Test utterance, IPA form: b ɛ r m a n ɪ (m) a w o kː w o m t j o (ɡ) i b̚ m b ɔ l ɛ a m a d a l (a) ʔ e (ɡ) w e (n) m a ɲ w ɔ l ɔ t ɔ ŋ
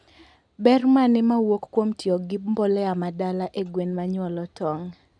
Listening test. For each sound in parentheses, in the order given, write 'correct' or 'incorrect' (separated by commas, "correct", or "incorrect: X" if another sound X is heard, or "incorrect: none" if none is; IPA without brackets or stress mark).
correct, correct, correct, correct, correct